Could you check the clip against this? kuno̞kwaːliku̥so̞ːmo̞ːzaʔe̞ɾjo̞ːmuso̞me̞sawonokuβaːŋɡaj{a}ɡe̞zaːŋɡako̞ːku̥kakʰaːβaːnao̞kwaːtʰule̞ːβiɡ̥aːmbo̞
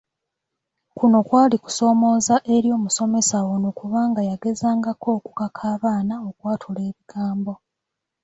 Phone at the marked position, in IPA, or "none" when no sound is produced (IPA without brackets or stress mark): a